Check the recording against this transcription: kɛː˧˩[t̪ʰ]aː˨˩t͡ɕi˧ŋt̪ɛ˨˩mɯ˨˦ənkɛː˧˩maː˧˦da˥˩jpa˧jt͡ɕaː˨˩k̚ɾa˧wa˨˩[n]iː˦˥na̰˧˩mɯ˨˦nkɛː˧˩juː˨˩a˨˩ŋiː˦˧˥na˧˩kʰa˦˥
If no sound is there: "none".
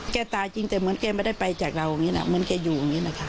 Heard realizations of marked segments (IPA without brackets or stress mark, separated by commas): t̪, ŋ